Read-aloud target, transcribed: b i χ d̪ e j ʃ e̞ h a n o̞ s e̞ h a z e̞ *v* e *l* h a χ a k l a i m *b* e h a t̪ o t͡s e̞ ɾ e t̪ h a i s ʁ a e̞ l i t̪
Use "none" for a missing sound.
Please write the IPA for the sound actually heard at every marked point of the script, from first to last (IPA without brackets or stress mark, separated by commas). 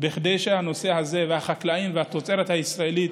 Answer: v, none, v